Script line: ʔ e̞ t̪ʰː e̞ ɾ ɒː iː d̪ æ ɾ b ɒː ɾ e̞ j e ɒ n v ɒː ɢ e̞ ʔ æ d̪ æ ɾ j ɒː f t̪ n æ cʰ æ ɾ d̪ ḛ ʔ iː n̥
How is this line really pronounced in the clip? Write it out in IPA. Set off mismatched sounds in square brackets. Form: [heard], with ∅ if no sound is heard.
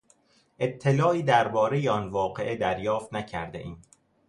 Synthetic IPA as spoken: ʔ e̞ t̪ʰː e̞ [l] ɒː iː d̪ æ ɾ b ɒː ɾ e̞ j e ɒ n v ɒː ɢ e̞ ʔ [e] d̪ æ ɾ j ɒː f t̪ n æ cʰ æ ɾ d̪ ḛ ʔ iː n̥